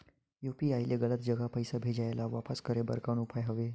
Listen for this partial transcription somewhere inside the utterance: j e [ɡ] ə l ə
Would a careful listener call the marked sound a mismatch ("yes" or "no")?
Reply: no